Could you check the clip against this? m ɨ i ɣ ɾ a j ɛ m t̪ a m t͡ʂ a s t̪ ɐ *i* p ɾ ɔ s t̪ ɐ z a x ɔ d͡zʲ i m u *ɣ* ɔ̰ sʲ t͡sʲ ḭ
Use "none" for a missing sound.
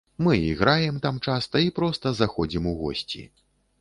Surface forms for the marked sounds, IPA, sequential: i, ɣ

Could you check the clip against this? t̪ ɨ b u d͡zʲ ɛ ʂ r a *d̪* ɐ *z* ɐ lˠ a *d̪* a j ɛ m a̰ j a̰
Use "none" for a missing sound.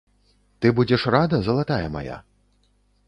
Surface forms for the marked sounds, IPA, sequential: d̪, z, t̪

